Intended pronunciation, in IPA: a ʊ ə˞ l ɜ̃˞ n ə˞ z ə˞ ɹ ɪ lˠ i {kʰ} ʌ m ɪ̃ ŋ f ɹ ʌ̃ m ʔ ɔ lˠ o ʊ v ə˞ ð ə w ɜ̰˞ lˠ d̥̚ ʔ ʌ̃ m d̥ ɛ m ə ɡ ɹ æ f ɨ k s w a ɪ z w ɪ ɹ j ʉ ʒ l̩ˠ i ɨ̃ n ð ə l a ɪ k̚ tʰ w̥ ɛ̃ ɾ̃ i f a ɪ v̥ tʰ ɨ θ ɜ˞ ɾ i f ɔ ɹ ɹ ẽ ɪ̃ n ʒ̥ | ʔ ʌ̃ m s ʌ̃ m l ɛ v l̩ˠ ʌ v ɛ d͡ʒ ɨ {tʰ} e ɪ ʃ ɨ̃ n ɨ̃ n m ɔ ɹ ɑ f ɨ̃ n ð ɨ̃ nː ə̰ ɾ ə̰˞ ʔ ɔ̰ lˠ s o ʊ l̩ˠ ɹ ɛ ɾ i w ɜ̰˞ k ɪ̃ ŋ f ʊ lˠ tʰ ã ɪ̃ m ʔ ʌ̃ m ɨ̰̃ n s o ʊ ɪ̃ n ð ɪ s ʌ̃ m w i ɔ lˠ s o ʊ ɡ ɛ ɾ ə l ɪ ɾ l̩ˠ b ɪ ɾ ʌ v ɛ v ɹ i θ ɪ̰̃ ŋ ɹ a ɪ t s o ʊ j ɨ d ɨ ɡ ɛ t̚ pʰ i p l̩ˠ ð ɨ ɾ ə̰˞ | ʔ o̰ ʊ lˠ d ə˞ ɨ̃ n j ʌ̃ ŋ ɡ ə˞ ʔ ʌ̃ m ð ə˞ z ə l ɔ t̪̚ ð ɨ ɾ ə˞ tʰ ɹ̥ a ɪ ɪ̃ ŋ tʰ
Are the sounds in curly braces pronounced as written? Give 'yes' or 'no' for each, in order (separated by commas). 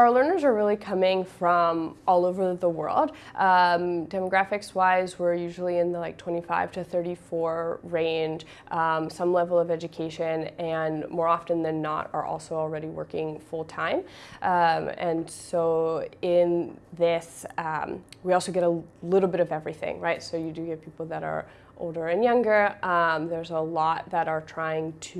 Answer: yes, no